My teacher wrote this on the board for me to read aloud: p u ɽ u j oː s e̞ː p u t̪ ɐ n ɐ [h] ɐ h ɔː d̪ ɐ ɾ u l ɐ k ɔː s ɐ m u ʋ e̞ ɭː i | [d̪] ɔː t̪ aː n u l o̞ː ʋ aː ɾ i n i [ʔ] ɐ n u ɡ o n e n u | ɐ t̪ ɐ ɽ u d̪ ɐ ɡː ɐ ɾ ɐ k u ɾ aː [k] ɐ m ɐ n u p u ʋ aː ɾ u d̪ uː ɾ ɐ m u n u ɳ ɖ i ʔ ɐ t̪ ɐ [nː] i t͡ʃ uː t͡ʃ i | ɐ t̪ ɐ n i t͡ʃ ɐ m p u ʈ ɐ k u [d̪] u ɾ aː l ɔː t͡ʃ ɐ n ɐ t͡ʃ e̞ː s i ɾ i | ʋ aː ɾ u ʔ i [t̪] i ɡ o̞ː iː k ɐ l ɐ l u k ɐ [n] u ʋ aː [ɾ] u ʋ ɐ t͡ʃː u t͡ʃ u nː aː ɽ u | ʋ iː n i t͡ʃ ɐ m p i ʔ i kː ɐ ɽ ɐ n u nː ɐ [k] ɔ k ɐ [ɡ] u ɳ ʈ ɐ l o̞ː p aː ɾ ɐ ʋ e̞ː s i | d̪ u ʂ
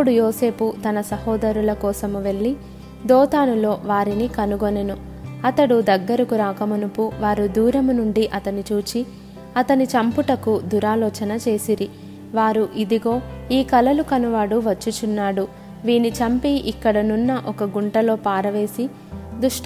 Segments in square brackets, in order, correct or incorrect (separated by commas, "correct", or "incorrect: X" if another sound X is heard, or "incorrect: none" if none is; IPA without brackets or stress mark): incorrect: s, correct, incorrect: k, correct, incorrect: n, correct, incorrect: d̪, correct, incorrect: ɽ, incorrect: ʔ, correct